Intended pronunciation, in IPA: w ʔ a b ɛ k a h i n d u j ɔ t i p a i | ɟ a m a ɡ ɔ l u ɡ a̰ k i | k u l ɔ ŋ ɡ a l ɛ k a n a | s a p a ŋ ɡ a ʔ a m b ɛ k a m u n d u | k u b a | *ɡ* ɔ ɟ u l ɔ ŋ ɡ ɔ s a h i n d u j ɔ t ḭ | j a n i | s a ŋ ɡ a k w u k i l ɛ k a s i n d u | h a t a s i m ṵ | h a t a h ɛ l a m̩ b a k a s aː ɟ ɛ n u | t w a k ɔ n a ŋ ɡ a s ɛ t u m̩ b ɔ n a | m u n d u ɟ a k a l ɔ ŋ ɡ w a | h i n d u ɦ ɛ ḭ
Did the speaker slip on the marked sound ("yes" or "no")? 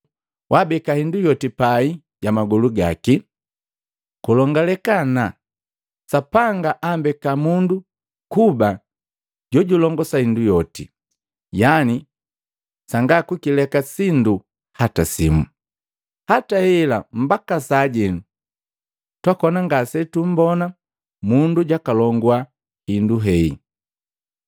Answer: yes